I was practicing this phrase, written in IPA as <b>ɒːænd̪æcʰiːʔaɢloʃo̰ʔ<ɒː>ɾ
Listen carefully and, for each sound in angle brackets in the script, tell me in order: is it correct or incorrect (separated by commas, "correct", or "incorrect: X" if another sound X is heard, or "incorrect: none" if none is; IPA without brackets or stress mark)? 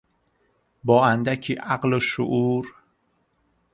correct, incorrect: uː